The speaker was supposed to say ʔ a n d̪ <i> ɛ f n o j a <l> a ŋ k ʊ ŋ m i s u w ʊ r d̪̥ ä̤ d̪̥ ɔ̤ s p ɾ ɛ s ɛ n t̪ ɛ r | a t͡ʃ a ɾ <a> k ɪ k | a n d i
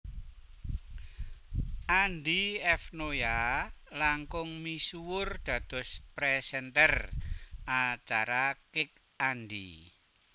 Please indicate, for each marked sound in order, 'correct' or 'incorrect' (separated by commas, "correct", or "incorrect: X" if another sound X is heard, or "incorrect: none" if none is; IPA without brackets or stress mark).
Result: correct, correct, correct